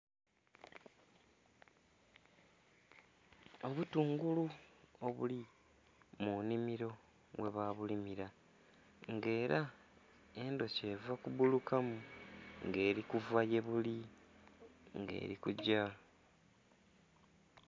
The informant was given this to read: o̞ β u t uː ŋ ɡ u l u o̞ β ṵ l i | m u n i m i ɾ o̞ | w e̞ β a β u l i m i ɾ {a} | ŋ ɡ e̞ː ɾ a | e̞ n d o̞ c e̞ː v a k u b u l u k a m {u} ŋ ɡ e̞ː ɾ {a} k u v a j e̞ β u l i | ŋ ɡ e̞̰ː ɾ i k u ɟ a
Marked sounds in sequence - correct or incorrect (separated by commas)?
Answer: correct, correct, incorrect